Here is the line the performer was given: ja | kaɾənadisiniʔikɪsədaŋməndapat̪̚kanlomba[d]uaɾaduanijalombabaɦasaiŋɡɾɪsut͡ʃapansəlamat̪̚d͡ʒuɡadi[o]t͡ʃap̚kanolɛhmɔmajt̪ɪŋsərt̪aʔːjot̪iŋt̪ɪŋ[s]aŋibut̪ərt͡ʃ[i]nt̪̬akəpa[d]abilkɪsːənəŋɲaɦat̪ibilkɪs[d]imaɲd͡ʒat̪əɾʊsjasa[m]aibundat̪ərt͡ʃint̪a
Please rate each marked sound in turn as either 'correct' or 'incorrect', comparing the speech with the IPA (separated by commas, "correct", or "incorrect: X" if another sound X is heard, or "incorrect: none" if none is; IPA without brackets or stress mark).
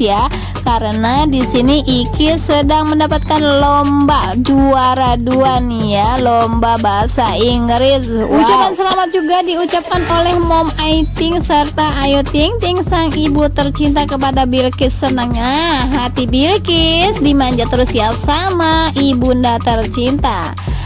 incorrect: d͡ʒ, incorrect: u, correct, correct, correct, correct, correct